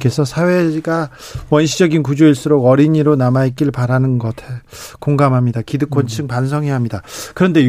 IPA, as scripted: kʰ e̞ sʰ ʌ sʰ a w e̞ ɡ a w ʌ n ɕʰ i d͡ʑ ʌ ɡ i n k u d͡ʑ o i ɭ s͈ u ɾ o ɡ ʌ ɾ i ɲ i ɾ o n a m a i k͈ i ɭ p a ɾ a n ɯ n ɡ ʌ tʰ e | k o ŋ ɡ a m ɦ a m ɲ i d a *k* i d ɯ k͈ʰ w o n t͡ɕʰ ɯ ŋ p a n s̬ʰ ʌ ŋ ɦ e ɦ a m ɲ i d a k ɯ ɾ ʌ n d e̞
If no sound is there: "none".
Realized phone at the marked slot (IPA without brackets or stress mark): k